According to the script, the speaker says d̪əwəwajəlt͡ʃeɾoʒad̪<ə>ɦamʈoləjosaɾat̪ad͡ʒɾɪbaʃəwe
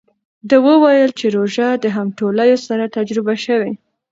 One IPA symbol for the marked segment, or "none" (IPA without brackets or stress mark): ə